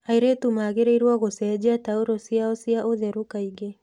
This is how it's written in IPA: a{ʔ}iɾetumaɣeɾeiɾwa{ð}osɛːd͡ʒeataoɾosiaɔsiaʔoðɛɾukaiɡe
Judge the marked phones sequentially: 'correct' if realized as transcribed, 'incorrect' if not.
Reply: incorrect: none, incorrect: ɣ

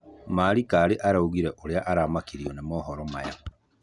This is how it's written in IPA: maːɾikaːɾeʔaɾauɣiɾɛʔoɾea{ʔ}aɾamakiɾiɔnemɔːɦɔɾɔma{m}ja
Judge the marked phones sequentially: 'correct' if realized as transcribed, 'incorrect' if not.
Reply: correct, incorrect: none

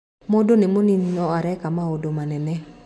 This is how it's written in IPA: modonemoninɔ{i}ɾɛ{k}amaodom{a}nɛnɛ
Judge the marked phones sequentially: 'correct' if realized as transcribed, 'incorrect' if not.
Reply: incorrect: a, correct, correct

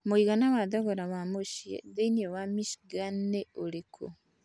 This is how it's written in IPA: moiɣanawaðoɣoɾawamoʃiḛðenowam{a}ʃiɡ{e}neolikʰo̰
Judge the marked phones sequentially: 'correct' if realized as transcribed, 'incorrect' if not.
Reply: incorrect: i, incorrect: a

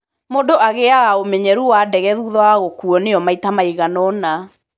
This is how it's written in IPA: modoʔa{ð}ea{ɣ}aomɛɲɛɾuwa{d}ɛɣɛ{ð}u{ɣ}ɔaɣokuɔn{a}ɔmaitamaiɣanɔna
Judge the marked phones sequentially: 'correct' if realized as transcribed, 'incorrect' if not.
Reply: incorrect: ɣ, correct, correct, correct, incorrect: ð, incorrect: e

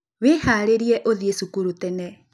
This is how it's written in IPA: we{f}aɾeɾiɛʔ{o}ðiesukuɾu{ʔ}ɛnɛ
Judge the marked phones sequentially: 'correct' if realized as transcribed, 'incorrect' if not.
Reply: incorrect: h, correct, incorrect: t

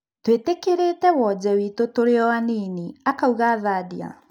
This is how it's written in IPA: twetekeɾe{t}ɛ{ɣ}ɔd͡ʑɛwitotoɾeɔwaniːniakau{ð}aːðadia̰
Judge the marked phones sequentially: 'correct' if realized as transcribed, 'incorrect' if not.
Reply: correct, incorrect: w, incorrect: ɣ

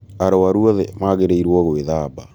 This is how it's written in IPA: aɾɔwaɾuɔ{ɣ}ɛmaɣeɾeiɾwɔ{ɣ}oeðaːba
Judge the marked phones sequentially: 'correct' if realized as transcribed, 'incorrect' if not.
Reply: incorrect: ð, correct

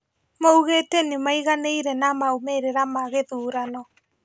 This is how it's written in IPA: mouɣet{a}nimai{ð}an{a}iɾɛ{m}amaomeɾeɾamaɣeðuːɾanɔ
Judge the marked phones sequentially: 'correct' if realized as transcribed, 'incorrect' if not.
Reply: incorrect: e, incorrect: ɣ, incorrect: e, incorrect: n

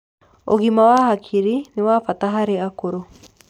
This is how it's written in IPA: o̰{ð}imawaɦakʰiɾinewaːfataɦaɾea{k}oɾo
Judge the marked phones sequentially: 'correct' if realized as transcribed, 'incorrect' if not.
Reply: incorrect: ɣ, correct

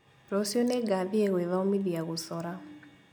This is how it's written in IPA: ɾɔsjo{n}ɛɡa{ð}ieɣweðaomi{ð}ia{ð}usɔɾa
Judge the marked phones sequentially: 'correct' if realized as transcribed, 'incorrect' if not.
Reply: correct, correct, correct, incorrect: ɣ

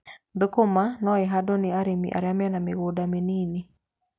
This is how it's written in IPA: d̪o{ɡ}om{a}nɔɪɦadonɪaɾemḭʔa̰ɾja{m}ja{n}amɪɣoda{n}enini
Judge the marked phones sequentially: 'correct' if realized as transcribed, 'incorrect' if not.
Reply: incorrect: k, correct, correct, correct, incorrect: m

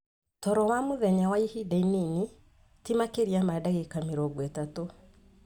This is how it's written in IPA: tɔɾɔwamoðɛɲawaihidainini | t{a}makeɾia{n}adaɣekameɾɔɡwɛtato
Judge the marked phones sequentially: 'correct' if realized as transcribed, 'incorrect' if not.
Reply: incorrect: i, incorrect: m

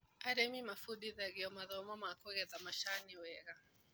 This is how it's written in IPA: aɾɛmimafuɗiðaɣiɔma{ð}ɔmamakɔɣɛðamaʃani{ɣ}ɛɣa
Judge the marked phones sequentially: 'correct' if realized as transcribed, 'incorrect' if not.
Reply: correct, incorrect: w

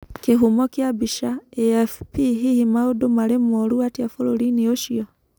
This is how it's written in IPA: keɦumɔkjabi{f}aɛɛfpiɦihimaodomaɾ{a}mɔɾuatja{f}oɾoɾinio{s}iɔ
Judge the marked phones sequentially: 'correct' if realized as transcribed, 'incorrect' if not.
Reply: incorrect: ʃ, incorrect: e, correct, incorrect: ʃ

